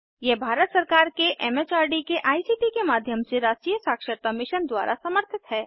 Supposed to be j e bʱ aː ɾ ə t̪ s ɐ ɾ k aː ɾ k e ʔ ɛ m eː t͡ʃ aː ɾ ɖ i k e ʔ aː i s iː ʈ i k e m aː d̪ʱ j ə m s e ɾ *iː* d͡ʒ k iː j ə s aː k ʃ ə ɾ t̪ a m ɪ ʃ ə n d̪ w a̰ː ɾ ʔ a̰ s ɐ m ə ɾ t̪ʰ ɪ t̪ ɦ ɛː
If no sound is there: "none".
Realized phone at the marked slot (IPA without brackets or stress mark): aː